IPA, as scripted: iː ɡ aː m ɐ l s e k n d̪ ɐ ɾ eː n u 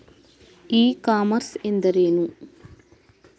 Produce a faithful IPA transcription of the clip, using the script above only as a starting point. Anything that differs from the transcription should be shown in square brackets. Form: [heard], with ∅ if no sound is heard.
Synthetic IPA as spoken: iː [k] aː m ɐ [ɾ] s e [∅] n d̪ ɐ ɾ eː n u